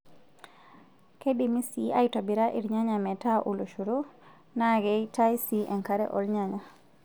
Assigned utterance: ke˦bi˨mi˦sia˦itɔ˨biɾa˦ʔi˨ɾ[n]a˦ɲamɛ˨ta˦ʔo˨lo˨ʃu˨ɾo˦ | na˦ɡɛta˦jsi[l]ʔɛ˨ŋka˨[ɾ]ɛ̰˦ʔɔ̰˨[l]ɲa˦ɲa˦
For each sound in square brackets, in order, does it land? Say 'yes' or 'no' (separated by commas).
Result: no, no, yes, yes